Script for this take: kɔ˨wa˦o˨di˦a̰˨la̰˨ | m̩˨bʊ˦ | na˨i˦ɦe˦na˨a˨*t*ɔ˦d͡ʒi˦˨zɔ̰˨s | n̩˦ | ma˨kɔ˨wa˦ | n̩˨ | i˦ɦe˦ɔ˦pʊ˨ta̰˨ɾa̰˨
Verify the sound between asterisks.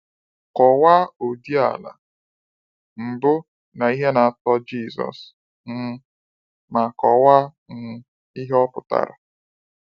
correct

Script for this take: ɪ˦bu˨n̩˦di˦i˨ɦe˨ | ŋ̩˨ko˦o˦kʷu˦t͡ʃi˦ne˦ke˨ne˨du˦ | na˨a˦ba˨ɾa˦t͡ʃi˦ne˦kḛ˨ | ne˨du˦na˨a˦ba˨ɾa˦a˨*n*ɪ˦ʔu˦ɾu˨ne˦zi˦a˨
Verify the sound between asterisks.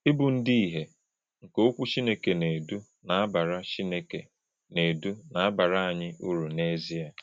incorrect: ɲ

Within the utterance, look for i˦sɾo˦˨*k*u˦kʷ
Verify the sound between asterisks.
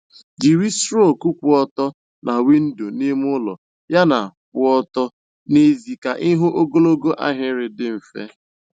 correct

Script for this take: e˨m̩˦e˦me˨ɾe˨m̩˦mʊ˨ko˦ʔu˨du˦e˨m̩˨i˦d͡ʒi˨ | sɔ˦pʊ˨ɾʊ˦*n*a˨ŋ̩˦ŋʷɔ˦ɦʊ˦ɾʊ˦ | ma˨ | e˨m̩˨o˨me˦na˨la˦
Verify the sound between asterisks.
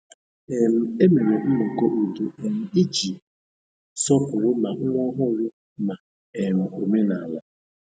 incorrect: m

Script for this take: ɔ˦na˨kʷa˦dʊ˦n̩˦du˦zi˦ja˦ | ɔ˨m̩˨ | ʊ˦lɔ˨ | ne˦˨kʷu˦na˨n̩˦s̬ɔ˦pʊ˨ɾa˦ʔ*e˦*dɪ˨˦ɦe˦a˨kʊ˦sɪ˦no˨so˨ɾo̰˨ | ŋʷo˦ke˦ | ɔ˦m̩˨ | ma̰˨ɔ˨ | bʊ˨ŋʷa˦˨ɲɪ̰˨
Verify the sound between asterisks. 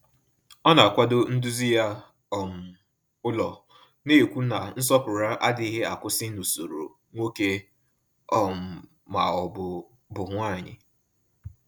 incorrect: a˦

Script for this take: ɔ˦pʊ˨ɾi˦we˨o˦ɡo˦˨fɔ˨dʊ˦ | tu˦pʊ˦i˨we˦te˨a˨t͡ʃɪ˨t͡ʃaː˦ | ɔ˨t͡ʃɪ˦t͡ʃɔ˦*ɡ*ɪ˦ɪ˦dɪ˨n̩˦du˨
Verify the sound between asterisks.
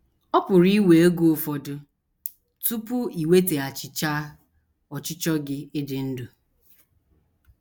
correct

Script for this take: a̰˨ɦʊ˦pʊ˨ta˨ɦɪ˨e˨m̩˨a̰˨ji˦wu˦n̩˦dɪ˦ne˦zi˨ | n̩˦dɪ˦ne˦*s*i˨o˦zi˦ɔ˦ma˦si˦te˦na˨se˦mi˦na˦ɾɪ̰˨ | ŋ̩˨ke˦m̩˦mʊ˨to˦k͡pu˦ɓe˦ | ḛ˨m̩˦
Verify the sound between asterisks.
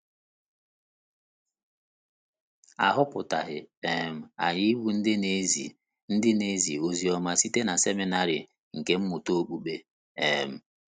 incorrect: z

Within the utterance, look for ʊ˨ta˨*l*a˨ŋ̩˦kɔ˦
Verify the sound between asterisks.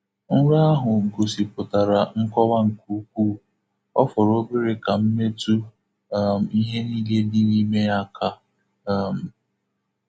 incorrect: ɾ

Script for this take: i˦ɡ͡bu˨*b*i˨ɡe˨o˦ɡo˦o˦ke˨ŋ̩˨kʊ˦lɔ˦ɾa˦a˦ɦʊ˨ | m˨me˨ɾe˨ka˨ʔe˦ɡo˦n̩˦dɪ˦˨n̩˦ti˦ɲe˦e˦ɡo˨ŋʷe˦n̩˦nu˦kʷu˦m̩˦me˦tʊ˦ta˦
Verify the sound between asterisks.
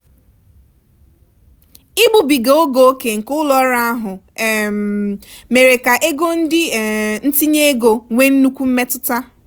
correct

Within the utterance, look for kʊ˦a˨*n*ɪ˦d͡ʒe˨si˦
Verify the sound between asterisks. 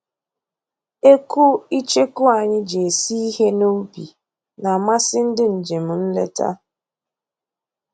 incorrect: ɲ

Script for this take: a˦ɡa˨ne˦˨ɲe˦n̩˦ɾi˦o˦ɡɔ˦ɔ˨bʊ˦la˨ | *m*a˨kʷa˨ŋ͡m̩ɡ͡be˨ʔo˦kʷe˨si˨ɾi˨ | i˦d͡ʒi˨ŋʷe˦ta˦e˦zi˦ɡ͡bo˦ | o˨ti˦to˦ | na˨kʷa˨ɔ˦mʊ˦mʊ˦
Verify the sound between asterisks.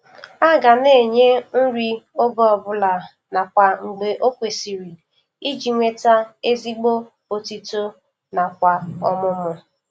incorrect: n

